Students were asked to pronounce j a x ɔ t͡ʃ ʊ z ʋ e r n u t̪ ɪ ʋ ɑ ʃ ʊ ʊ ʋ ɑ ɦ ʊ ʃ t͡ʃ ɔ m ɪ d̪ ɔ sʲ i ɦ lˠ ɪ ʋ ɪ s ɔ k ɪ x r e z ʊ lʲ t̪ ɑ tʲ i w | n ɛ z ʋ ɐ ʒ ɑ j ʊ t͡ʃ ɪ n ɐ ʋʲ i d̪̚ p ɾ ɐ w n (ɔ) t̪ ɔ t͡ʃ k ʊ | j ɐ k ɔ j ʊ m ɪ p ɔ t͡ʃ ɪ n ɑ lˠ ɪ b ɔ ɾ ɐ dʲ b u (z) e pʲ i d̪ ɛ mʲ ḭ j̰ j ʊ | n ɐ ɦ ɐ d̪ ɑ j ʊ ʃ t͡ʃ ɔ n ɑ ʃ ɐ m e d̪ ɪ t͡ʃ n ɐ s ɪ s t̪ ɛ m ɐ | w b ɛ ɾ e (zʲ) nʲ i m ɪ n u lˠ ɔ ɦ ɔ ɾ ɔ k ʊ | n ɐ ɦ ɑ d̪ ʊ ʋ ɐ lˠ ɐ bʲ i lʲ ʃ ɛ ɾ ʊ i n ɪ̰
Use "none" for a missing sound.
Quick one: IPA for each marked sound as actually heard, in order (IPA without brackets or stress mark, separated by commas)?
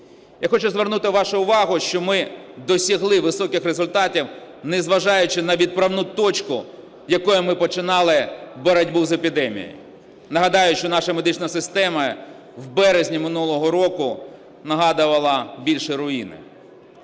u, z, zʲ